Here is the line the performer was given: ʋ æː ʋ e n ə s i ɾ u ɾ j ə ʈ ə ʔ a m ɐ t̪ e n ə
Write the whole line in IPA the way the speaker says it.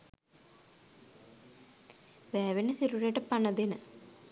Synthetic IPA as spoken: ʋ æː ʋ e n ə s i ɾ u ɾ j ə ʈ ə p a n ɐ d̪ e n ə